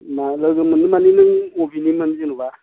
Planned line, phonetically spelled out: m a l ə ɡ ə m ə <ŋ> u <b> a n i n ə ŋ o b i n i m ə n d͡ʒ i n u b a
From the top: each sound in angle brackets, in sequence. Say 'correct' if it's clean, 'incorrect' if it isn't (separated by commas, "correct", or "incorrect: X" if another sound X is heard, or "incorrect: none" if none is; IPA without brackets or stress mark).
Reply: incorrect: n, incorrect: m